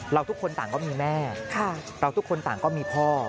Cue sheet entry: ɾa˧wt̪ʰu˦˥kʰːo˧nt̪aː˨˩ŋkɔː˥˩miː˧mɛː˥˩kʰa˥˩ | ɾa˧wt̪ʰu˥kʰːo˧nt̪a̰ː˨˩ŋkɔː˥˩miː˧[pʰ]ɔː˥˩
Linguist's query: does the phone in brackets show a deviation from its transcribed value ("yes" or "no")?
no